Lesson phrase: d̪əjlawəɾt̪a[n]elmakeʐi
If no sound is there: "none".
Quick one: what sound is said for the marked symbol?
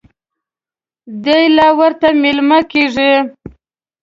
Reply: m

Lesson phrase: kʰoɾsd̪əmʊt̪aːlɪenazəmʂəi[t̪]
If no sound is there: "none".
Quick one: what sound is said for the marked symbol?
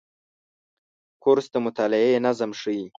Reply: none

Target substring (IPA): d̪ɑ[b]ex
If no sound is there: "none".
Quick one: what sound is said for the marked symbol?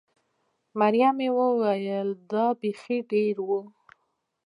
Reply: b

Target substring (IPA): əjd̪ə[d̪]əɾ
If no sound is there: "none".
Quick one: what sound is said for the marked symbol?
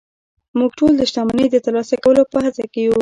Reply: t̪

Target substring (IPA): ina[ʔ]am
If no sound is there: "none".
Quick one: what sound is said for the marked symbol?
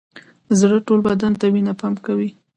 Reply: p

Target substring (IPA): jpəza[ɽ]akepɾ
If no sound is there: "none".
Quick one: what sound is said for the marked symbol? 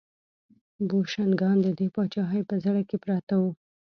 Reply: ɽ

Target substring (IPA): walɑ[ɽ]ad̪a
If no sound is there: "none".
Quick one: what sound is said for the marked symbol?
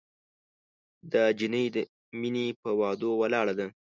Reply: ɽ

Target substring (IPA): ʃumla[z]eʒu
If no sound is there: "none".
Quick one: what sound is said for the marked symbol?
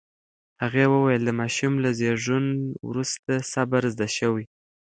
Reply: z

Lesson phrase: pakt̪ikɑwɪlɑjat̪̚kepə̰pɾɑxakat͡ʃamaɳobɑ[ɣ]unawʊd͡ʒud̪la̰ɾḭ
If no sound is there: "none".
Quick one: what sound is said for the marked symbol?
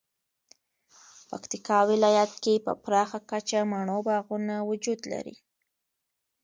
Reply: ɣ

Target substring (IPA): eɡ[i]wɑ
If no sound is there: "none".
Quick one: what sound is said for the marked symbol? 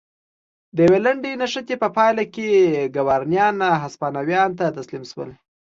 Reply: a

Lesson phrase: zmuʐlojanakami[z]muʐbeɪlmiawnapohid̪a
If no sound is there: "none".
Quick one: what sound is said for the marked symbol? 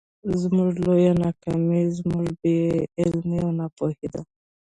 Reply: z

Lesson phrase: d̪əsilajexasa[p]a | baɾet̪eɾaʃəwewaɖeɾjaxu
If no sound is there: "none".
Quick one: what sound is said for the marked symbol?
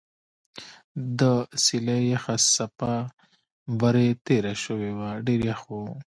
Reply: p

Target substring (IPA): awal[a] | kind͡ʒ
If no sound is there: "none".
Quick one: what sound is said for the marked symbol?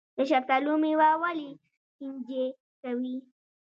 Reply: i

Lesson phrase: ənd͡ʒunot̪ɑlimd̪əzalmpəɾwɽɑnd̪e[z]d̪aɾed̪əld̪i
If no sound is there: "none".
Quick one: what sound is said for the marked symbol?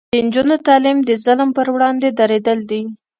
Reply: none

